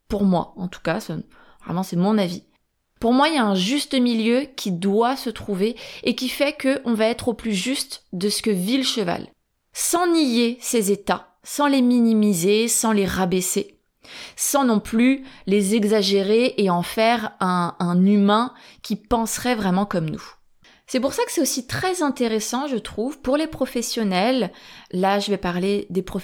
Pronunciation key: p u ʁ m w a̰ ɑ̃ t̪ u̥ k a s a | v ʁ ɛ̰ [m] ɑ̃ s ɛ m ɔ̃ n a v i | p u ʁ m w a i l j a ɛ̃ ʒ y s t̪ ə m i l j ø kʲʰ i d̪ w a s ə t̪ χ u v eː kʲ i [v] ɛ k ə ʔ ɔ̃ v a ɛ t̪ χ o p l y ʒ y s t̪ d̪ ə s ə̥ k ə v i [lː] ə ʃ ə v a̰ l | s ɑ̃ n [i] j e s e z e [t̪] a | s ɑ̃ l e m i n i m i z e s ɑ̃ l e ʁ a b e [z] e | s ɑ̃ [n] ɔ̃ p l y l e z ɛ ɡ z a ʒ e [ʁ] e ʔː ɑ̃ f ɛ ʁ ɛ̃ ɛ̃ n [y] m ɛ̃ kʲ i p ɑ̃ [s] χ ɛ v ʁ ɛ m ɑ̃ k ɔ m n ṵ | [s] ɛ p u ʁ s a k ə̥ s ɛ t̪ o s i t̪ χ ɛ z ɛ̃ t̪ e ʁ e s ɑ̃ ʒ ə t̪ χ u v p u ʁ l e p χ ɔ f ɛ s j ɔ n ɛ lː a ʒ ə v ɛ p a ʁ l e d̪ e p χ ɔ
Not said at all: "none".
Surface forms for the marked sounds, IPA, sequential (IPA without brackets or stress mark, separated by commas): m, f, l, i, t̪, s, n, ʁ, y, s, s